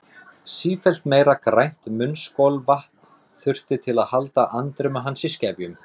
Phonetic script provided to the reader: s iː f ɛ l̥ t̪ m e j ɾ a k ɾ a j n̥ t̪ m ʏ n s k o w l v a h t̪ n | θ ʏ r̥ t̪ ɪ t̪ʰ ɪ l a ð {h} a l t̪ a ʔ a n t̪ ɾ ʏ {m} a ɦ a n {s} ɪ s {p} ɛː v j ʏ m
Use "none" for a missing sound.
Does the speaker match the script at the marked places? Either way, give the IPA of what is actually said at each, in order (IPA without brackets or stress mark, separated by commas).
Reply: h, m, s, c